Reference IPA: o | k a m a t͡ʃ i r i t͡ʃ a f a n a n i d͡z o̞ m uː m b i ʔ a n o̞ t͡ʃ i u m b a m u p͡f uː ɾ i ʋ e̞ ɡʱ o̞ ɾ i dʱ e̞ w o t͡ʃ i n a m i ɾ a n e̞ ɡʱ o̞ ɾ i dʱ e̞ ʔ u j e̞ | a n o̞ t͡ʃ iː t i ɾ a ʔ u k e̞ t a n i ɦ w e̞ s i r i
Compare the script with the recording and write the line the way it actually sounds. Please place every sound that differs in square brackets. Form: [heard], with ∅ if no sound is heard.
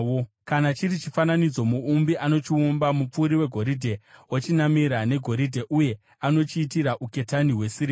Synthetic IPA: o | k a [n] a t͡ʃ i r i t͡ʃ [i] f a n a n i d͡z o̞ m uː m b i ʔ a n o̞ t͡ʃ i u m b a m u p͡f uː ɾ i [w] e̞ ɡʱ o̞ ɾ i dʱ e̞ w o t͡ʃ i n a m i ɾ a n e̞ ɡʱ o̞ ɾ i dʱ e̞ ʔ u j e̞ | a n o̞ t͡ʃ iː t i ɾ a ʔ u k e̞ t a n i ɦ w e̞ s i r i